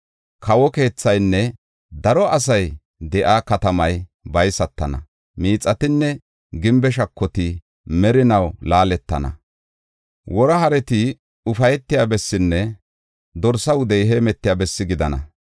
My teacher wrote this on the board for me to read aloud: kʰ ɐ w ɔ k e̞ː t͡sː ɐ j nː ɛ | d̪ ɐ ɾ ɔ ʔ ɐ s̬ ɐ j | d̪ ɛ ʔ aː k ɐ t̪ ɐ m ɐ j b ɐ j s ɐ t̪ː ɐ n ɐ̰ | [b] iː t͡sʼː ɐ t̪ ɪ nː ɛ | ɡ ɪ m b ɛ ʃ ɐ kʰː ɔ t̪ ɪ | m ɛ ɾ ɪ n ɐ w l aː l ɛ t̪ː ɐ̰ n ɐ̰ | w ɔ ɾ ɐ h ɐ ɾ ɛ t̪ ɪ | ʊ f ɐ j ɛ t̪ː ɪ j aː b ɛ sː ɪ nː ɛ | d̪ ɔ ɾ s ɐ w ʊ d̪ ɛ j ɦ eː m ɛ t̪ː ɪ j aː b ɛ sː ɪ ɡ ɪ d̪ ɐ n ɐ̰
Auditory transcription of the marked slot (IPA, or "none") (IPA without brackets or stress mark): m